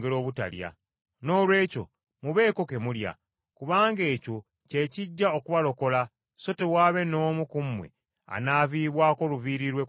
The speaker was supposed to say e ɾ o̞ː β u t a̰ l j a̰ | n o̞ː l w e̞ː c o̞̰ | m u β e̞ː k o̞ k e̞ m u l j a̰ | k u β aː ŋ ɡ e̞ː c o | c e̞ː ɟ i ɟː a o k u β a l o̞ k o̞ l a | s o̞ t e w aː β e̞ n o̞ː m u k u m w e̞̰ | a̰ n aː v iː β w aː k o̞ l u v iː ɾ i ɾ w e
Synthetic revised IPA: e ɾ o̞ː β u t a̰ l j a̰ | n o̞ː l w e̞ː c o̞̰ | m u β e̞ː k o̞ k e̞ m u l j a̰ | k u β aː ŋ ɡ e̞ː c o | c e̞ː c i ɟː a o k u β a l o̞ k o̞ l a | s o̞ t e w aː β e̞ n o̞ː m u k u m w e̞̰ | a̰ n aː v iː β w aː k o̞ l u v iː ɾ i ɾ w e